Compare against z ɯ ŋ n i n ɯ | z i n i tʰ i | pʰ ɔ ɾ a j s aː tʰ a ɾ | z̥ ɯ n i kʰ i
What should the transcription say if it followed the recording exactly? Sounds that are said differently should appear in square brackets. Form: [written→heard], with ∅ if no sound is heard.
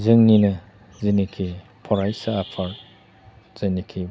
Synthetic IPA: z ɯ ŋ n i n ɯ | z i n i [tʰ→kʰ] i | pʰ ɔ ɾ a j s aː [tʰ→pʰ] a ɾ | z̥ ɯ n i kʰ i